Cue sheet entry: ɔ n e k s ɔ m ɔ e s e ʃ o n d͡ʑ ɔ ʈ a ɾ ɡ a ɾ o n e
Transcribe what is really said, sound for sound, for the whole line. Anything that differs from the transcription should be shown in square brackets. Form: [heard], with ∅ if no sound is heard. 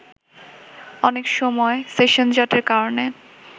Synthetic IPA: ɔ n e k [ʃ] ɔ m ɔ e s e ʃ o n d͡ʑ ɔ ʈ [e] ɾ [k] a ɾ o n e